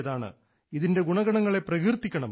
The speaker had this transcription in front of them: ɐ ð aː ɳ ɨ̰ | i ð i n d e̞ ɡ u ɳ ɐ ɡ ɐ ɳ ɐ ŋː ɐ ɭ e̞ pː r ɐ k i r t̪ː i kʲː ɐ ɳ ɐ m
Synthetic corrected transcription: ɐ ð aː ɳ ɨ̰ | i ð i n d e̞ ɡ u ɳ ɐ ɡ ɐ ɳ ɐ ŋː ɐ ɭ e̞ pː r ɐ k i r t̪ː i kʲː ɐ ɳ ɐ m

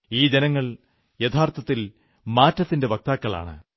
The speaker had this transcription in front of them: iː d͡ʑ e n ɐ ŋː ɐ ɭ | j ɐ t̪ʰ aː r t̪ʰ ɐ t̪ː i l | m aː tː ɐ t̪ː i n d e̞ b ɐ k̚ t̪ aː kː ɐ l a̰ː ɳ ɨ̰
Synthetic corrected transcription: iː d͡ʑ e n ɐ ŋː ɐ ɭ | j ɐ t̪ʰ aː r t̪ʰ ɐ t̪ː i l | m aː tː ɐ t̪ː i n d e̞ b ɐ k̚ t̪ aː kː ɐ ɭ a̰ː ɳ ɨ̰

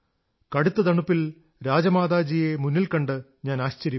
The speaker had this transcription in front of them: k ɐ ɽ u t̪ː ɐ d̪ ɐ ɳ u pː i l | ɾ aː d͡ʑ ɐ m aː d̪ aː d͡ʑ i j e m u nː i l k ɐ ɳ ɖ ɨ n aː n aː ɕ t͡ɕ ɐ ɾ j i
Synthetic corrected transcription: k ɐ ɽ u t̪ː ɐ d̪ ɐ ɳ u pː i l | ɾ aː d͡ʑ ɐ m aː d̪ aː d͡ʑ i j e m u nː i l k ɐ ɳ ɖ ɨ ɲ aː n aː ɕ t͡ɕ ɐ ɾ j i

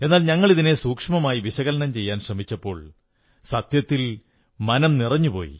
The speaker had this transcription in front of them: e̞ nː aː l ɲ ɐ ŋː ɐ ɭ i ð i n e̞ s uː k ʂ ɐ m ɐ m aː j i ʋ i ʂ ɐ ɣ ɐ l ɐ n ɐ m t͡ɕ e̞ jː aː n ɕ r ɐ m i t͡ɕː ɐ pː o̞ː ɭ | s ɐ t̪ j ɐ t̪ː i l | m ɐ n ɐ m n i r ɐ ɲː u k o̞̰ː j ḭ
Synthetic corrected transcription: e̞ nː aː l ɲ ɐ ŋː ɐ ɭ i ð i n e̞ s uː k ʂ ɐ m ɐ m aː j i ʋ i ɕ ɐ ɣ ɐ l ɐ n ɐ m t͡ɕ e̞ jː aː n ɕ r ɐ m i t͡ɕː ɐ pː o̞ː ɭ | s ɐ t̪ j ɐ t̪ː i l | m ɐ n ɐ m n i r ɐ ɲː u p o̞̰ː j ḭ

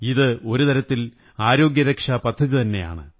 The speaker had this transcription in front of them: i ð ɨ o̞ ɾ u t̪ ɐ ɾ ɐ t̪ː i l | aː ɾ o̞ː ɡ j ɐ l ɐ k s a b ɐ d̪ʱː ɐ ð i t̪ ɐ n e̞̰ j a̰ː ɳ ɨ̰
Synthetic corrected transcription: i ð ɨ o̞ ɾ u t̪ ɐ ɾ ɐ t̪ː i l | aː ɾ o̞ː ɡ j ɐ ɾ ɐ k ʂ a p ɐ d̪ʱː ɐ ð i t̪ ɐ nː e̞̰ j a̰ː ɳ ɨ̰

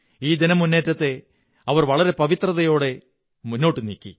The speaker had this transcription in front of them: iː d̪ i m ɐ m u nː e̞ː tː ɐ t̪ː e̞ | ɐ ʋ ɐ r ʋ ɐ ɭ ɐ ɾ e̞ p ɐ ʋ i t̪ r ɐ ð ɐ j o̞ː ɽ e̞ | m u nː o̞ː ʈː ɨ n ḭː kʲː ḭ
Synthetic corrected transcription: iː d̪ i n ɐ m u nː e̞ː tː ɐ t̪ː e̞ | ɐ ʋ ɐ r ʋ ɐ ɭ ɐ ɾ e̞ p ɐ ʋ i t̪ r ɐ ð ɐ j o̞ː ɽ e̞ | m u nː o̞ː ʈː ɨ n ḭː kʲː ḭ

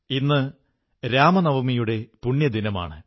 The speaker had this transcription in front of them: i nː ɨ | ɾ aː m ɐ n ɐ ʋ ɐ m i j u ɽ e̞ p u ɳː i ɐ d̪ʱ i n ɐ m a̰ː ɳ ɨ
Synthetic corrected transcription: i nː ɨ | ɾ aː m ɐ n ɐ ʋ ɐ m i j u ɽ e̞ p u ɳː j ɐ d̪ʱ i n ɐ m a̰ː ɳ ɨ

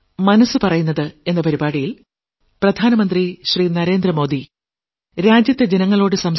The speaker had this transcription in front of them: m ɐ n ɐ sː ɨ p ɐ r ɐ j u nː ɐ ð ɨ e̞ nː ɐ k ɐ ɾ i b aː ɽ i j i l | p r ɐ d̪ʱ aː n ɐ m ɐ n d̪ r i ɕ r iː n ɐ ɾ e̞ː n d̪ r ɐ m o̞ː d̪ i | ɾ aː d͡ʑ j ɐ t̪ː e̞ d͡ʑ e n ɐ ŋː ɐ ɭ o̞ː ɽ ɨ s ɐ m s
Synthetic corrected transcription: m ɐ n ɐ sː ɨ p ɐ r ɐ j u nː ɐ ð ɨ e̞ nː ɐ p ɐ ɾ i b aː ɽ i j i l | p r ɐ d̪ʱ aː n ɐ m ɐ n d̪ r i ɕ r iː n ɐ ɾ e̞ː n d̪ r ɐ m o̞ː d̪ i | ɾ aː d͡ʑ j ɐ t̪ː e̞ d͡ʑ e n ɐ ŋː ɐ ɭ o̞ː ɽ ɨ s ɐ m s

